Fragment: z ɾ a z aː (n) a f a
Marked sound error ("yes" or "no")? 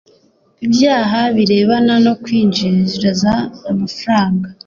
yes